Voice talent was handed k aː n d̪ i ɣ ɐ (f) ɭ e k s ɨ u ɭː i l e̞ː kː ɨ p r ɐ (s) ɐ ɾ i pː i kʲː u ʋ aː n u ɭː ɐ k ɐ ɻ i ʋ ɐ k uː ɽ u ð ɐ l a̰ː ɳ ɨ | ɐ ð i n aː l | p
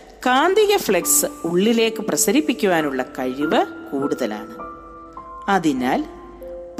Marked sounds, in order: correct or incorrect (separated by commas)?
correct, correct